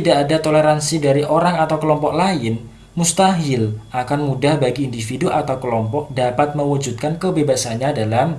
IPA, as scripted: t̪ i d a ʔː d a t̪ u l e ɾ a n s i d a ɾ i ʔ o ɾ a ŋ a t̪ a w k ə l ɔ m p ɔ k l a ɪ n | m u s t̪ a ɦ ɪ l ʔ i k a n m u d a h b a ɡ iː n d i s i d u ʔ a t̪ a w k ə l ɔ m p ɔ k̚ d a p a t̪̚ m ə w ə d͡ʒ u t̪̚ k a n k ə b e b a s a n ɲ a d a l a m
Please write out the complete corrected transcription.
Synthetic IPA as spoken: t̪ i d a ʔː d a t̪ o l e ɾ a n s i d a ɾ i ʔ o ɾ a ŋ a t̪ a w k ə l ɔ m p ɔ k l a ɪ n | m u s t̪ a ɦ ɪ l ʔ a k a n m u d a h b a ɡ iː n d i f i d u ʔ a t̪ a w k ə l ɔ m p ɔ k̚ d a p a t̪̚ m ə w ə d͡ʒ u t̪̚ k a n k ə b e b a s a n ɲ a d a l a m